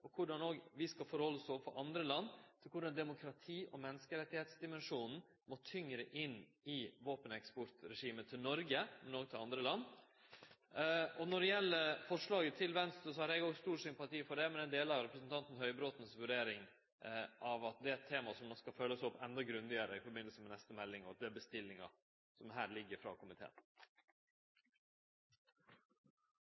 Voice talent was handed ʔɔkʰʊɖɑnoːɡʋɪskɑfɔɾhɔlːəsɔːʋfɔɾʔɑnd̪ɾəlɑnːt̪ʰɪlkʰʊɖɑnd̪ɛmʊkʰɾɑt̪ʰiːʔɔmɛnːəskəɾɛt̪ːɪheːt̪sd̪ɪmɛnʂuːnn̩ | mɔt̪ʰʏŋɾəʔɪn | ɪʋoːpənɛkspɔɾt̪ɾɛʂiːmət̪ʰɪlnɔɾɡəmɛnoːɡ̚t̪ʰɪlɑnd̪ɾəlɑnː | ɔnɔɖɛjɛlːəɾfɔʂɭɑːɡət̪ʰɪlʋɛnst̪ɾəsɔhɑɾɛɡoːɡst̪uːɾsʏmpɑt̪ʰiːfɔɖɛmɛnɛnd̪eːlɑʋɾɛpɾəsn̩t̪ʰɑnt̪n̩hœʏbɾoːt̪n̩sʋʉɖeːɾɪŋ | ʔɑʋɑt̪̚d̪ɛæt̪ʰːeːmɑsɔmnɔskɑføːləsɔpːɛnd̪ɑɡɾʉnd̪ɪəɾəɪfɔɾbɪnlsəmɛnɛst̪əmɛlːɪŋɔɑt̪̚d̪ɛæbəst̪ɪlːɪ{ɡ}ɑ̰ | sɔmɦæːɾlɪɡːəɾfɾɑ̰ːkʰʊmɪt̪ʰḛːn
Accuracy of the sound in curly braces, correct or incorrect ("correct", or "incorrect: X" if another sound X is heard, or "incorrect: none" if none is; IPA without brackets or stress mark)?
incorrect: ŋ